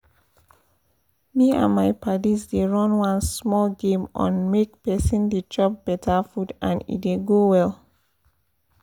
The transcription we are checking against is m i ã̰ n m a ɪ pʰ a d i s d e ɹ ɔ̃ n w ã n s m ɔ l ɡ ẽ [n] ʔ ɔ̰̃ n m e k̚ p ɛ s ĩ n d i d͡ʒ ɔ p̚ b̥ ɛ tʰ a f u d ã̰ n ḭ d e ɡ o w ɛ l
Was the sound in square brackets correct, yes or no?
no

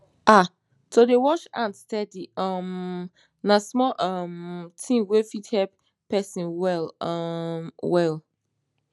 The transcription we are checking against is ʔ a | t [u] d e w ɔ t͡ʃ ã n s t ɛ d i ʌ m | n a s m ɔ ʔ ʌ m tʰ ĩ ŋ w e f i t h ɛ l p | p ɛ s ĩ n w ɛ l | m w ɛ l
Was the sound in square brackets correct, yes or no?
no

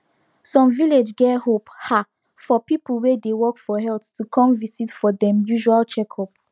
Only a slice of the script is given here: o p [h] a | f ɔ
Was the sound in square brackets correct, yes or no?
yes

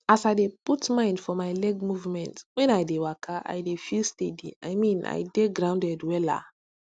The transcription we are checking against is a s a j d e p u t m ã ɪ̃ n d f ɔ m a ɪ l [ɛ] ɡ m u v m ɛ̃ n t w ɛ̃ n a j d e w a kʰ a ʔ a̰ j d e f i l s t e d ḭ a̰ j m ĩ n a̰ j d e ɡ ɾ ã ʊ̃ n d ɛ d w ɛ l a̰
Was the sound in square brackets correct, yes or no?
yes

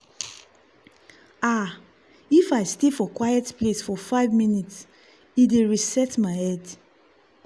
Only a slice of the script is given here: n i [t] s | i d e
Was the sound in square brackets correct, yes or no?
yes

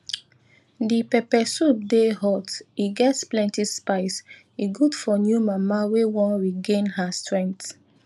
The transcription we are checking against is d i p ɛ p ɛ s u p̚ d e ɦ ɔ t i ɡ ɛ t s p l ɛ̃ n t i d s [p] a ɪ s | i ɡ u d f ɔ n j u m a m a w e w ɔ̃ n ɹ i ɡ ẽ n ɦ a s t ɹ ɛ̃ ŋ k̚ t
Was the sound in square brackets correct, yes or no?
yes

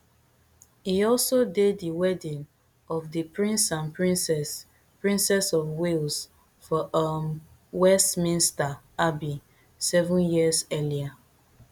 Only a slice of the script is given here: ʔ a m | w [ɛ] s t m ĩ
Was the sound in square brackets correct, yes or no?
yes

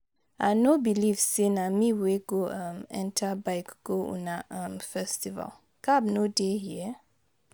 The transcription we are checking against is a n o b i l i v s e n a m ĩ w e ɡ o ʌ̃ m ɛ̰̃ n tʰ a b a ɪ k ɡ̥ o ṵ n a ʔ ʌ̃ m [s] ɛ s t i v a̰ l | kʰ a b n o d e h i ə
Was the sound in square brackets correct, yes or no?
no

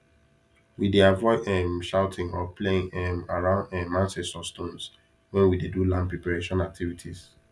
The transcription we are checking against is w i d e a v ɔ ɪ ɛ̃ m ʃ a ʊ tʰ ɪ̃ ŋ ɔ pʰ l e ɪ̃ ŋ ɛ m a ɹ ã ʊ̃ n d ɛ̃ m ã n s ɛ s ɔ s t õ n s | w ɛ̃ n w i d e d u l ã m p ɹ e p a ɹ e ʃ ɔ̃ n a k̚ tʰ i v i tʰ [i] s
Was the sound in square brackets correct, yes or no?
yes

